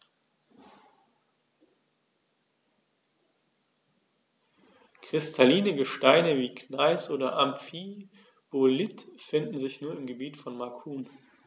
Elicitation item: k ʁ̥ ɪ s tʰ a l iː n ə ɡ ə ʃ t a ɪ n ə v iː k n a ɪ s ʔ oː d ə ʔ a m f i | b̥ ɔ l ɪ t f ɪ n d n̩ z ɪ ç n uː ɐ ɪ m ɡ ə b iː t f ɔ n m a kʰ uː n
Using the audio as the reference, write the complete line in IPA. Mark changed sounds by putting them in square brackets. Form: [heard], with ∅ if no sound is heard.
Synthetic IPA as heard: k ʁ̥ ɪ s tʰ a l iː n ə ɡ ə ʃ t a ɪ n ə v iː k n a ɪ s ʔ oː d [ɐ] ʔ a m f i | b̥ [o] l ɪ t f ɪ n d n̩ z ɪ ç n uː ɐ ɪ m ɡ ə b iː t f ɔ n m a kʰ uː n

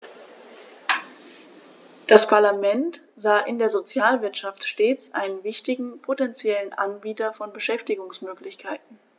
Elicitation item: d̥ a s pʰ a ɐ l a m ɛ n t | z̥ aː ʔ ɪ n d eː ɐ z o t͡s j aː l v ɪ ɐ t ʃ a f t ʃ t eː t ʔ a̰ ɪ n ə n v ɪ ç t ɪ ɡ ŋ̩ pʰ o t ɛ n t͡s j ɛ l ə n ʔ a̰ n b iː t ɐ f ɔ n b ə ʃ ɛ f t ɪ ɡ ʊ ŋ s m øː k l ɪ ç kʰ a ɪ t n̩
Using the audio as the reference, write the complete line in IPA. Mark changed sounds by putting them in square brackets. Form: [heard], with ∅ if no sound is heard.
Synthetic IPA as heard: d̥ a s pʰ a ɐ l a m ɛ n t | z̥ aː ʔ ɪ n d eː ɐ z o t͡s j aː l v ɪ ɐ t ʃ a f t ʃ t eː [t͡s] ʔ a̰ ɪ n ə n v ɪ ç t ɪ ɡ ŋ̩ pʰ o t ɛ n t͡s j ɛ l ə n ʔ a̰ n b iː t ɐ f ɔ n b ə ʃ ɛ f t ɪ ɡ ʊ ŋ s m øː k l ɪ ç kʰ a ɪ t n̩

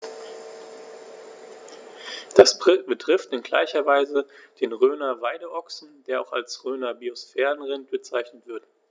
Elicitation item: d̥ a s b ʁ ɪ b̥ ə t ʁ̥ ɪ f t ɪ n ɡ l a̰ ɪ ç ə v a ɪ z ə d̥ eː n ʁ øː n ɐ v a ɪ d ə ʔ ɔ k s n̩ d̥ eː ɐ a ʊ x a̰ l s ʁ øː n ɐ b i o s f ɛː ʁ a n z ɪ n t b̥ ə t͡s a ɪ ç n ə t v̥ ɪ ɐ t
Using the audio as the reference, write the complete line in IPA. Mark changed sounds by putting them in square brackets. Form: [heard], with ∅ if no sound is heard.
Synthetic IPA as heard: d̥ a s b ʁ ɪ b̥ ə t ʁ̥ ɪ f t ɪ n ɡ l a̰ ɪ ç [ɐ] v a ɪ z ə d̥ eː n ʁ øː n ɐ v a ɪ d ə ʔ ɔ k s n̩ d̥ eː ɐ a ʊ x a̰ l s ʁ øː n ɐ b i o s f ɛː ʁ [ə] n [ʁ] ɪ n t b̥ ə t͡s a ɪ ç n ə t v̥ ɪ ɐ t

